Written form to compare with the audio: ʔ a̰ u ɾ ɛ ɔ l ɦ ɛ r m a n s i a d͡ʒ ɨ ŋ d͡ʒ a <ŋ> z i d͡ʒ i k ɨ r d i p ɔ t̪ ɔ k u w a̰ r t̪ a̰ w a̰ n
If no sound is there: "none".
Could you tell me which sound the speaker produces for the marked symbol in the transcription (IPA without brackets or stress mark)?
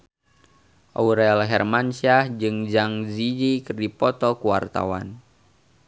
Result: ŋ